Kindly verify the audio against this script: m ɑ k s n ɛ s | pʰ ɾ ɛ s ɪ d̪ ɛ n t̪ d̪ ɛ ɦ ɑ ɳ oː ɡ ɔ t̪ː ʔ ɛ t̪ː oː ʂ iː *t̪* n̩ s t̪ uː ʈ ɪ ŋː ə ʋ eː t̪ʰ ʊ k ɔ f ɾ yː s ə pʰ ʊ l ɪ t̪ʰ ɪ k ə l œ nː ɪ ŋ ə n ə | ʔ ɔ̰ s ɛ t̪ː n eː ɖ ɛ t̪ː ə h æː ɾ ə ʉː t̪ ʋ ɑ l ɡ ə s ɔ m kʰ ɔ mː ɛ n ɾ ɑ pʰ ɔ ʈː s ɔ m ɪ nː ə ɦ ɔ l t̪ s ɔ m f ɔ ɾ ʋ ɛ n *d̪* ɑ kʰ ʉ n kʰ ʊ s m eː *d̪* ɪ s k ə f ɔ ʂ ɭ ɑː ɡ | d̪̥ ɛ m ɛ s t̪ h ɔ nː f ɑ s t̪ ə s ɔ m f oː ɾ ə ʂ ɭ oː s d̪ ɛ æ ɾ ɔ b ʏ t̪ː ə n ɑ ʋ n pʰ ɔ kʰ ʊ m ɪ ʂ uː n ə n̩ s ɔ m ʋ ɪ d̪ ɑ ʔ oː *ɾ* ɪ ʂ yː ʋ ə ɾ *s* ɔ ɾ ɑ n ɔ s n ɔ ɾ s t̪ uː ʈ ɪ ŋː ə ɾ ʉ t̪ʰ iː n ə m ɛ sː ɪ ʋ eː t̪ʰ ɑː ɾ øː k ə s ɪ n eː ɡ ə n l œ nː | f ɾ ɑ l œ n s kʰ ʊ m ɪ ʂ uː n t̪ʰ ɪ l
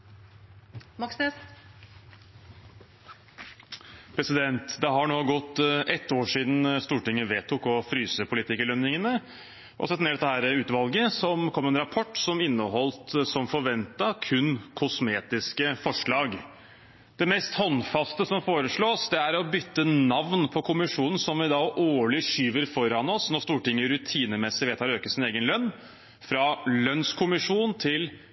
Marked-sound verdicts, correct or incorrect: incorrect, incorrect, incorrect, incorrect, incorrect

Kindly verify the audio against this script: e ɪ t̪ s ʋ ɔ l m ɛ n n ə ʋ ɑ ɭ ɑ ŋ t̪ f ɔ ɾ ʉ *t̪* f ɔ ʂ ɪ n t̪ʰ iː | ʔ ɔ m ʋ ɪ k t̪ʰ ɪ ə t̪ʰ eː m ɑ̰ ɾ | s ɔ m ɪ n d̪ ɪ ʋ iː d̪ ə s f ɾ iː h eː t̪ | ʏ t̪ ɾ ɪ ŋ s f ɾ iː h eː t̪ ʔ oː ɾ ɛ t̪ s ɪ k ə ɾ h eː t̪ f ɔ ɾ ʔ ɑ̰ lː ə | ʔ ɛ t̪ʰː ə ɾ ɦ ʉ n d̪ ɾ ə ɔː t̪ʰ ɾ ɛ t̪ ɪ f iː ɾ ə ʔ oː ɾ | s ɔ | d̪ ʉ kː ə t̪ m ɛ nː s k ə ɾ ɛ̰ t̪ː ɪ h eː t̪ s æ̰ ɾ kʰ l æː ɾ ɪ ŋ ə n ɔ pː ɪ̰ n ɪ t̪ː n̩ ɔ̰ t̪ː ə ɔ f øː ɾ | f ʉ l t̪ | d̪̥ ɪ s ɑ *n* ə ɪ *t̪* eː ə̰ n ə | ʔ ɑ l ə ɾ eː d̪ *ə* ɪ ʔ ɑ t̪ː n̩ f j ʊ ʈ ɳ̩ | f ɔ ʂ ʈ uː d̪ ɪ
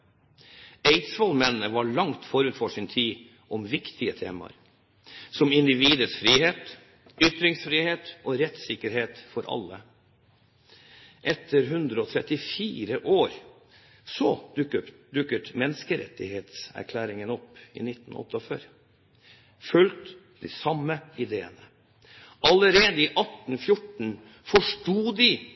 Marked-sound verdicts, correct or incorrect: correct, incorrect, incorrect, correct

